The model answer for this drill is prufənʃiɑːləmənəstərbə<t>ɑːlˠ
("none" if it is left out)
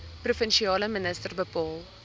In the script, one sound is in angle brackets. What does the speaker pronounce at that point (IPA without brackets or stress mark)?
p